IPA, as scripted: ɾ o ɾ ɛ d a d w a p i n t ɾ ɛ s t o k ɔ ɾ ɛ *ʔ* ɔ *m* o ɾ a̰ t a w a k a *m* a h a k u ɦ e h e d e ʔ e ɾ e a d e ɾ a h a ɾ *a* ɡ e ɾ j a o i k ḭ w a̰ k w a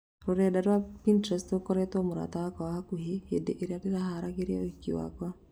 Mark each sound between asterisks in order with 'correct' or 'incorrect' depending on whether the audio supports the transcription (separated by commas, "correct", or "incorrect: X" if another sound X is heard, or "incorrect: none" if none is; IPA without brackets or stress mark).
incorrect: t, correct, incorrect: none, correct